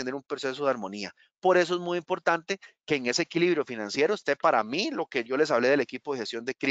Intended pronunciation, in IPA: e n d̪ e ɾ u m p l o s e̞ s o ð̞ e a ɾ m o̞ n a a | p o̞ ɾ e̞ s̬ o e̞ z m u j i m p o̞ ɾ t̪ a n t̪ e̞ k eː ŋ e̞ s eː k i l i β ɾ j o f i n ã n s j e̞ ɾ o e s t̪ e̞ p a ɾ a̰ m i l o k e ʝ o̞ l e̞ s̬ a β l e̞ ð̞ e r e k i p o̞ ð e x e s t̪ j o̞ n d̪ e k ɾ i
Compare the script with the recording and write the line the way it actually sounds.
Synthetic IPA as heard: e n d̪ e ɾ u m p ɾ o s e̞ s o ð̞ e a ɾ m o̞ n i a | p o̞ ɾ e̞ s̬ o e̞ z m u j i m p o̞ ɾ t̪ a n t̪ e̞ k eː ŋ e̞ s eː k i l i β ɾ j o f i n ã n s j e̞ ɾ o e s t̪ e̞ p a ɾ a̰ m i l o k e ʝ o̞ l e̞ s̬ a β l e̞ ð̞ e l e k i p o̞ ð e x e s t̪ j o̞ n d̪ e k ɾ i